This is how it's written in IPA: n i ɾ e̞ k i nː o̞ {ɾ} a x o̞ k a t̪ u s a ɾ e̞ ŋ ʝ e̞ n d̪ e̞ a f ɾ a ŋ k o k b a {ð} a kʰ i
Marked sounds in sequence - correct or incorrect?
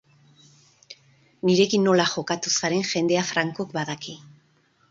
incorrect: l, correct

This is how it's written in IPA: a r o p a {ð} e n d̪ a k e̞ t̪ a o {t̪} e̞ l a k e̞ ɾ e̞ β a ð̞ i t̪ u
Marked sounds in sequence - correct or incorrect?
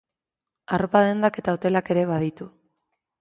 correct, correct

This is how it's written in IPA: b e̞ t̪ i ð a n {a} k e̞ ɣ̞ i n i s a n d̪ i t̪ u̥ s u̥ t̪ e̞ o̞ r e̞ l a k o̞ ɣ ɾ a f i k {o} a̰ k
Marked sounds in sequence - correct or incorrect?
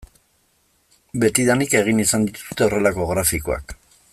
incorrect: i, correct

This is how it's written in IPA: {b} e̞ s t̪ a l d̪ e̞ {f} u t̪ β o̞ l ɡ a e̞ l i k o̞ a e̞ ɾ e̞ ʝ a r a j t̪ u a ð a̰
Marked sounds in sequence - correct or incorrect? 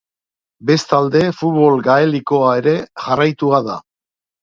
correct, correct

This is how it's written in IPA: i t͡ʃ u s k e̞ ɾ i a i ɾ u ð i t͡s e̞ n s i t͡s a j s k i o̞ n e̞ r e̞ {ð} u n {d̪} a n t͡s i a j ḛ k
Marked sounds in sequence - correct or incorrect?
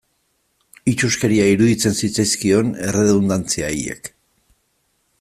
correct, correct

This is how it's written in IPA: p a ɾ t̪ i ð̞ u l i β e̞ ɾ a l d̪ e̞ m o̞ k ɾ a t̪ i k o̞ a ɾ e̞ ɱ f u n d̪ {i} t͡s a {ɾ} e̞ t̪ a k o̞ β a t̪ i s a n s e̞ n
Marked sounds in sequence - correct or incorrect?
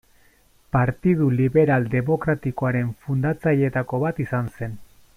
incorrect: a, incorrect: ʎ

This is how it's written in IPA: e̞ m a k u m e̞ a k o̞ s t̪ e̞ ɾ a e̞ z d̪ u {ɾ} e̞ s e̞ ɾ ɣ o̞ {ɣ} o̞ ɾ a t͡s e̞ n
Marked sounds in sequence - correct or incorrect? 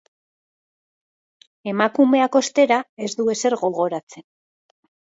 incorrect: none, correct

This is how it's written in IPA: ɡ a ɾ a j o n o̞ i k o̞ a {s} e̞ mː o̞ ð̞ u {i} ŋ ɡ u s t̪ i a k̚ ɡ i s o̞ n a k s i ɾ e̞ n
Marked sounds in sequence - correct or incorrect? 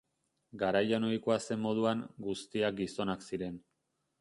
correct, incorrect: a

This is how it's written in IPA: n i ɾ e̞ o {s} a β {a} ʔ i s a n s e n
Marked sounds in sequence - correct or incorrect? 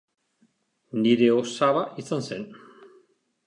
correct, correct

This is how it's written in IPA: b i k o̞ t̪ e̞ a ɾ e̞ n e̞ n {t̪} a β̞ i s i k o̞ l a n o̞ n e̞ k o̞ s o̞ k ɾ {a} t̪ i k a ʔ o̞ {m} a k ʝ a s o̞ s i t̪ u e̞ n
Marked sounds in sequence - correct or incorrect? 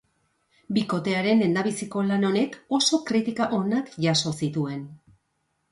incorrect: d̪, incorrect: i, incorrect: n

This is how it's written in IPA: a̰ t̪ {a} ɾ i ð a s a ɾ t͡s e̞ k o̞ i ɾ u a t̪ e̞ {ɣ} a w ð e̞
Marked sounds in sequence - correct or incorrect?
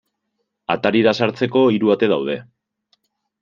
correct, incorrect: ð

